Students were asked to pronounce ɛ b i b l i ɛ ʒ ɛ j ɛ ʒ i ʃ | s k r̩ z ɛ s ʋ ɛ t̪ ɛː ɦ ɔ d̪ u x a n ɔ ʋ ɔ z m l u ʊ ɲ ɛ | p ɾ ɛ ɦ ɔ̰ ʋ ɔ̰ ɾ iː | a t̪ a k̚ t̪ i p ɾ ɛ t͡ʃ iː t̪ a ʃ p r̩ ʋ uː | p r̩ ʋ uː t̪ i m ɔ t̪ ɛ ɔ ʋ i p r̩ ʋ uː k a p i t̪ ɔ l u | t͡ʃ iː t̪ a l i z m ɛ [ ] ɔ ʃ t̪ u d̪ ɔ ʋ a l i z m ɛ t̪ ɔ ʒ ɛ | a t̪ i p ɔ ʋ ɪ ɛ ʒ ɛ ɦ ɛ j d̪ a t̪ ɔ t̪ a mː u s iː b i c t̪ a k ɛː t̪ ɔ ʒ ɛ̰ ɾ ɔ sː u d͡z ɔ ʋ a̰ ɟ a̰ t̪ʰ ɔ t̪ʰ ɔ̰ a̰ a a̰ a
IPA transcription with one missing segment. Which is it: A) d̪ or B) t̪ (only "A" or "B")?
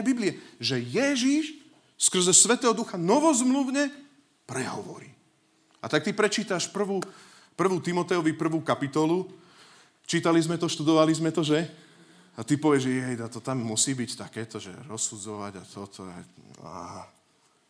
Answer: B